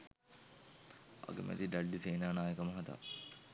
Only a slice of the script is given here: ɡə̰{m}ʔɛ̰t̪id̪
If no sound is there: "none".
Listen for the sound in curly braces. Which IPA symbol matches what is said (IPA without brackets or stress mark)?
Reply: m